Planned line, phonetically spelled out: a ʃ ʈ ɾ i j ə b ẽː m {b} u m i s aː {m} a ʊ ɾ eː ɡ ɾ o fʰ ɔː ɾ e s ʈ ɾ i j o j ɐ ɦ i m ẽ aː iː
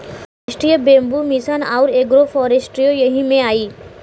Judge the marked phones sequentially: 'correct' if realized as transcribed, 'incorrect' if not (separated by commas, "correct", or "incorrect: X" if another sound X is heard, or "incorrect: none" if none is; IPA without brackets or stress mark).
correct, incorrect: n